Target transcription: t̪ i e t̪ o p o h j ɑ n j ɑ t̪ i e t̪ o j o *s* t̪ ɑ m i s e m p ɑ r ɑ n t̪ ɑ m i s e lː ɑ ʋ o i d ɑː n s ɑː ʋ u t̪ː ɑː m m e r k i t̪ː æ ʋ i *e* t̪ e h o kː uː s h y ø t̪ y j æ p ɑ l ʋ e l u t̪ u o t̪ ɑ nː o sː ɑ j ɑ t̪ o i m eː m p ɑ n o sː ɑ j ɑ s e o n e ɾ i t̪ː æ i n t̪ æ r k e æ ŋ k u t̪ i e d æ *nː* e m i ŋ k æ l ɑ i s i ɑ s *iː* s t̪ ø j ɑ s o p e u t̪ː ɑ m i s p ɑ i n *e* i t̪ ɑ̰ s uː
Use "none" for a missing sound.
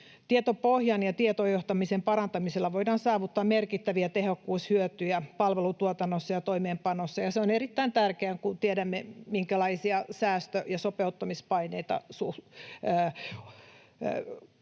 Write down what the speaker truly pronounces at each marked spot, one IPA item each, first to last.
h, æ, mː, æː, e

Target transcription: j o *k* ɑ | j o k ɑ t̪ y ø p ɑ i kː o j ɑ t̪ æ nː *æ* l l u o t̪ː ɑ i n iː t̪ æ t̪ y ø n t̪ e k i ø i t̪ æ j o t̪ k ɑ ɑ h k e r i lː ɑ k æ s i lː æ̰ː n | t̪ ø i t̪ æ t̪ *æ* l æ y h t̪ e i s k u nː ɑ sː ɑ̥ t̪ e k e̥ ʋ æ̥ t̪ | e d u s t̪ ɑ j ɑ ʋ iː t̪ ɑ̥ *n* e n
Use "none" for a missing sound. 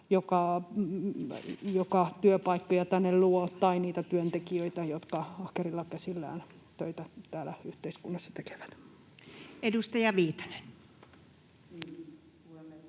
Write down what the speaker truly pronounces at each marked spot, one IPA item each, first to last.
k, e, æː, n

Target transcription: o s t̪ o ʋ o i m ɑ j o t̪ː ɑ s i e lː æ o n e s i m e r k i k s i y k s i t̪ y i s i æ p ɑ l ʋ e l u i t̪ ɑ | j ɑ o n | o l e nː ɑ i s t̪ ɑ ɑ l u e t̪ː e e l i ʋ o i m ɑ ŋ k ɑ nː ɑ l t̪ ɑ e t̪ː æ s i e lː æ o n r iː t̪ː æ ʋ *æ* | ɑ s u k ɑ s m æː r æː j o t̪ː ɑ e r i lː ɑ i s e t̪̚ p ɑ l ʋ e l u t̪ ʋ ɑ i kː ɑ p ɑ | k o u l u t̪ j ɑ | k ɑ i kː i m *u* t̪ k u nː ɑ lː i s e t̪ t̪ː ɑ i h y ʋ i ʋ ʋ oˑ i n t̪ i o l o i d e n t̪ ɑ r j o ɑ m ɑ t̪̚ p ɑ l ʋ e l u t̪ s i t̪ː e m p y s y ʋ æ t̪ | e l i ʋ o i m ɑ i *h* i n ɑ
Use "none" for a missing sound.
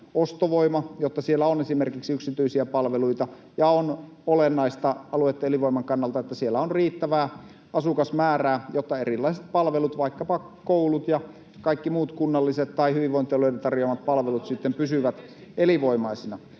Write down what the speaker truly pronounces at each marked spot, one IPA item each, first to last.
æː, uː, s

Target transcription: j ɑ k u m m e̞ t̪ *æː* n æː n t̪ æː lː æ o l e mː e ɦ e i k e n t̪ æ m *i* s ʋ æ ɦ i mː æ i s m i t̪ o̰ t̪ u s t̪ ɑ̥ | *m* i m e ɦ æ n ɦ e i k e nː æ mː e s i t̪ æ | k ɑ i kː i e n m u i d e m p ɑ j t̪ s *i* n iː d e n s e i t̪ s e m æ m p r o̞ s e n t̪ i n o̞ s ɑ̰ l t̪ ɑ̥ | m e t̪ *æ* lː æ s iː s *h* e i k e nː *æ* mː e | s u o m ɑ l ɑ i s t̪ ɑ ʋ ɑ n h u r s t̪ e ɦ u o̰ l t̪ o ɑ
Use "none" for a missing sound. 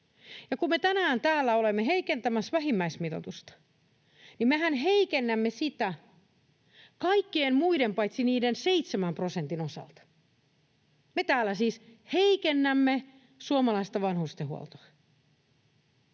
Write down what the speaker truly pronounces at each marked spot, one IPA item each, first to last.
æ, æ, n, i, æː, h, æ

